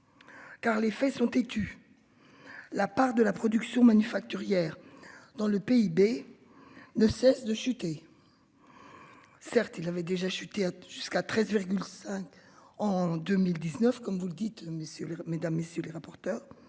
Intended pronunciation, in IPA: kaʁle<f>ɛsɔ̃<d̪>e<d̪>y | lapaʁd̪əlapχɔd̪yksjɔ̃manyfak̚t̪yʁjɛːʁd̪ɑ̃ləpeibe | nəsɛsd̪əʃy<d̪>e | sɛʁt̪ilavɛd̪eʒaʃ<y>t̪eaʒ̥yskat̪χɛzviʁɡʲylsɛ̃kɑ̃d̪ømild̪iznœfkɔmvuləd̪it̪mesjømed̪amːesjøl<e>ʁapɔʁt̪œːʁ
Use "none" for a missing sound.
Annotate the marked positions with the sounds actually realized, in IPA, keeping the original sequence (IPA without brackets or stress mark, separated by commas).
f, t̪, t̪, t̪, y, e